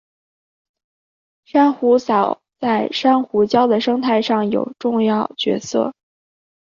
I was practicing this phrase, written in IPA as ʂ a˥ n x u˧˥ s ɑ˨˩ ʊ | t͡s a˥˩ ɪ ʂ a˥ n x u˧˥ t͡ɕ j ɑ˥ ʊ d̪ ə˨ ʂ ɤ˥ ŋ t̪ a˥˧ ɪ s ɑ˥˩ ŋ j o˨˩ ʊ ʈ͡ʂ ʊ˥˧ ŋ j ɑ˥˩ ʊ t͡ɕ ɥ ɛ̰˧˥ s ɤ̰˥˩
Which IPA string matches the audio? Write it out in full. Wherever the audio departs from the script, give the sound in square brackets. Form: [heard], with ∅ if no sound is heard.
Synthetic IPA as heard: ʂ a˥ n x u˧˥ s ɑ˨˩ ʊ | t͡s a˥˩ ɪ ʂ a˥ n x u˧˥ t͡ɕ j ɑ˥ ʊ d̪ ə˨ ʂ ɤ˥ ŋ [t̪ʰ] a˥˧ ɪ [ʂ] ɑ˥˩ ŋ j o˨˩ ʊ ʈ͡ʂ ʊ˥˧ ŋ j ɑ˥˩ ʊ t͡ɕ ɥ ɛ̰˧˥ s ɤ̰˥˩